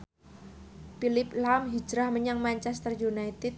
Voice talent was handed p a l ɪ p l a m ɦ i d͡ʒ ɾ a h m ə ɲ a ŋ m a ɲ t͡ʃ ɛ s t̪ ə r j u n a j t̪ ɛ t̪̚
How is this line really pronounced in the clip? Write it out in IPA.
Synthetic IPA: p i l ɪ p l a m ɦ i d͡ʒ ɾ a h m ə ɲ a ŋ m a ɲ t͡ʃ ɛ s t̪ ə r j u n a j t̪ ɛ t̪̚